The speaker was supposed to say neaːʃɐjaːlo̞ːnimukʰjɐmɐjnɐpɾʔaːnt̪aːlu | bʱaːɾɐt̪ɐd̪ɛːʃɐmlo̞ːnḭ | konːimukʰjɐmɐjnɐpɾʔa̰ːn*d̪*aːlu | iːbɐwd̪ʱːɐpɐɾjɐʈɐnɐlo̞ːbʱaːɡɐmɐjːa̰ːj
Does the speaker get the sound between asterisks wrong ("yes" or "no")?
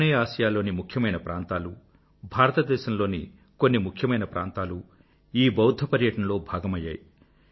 yes